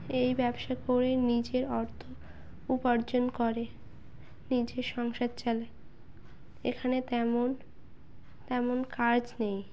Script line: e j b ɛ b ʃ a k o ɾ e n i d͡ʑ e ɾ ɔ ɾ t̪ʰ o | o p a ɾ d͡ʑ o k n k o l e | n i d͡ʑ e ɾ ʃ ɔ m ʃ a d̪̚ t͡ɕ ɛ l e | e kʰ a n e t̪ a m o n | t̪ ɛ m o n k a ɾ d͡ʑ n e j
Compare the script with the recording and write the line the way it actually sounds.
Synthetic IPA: e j b ɛ b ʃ a k o ɾ e n i d͡ʑ e ɾ ɔ ɾ t̪ʰ o | u p a ɾ d͡ʑ o n k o ɾ e | n i d͡ʑ e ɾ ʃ ɔ ŋ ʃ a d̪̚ t͡ɕ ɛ l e | e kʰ a n e t̪ ɛ m o n | t̪ ɛ m o n k a ɾ d͡ʑ n e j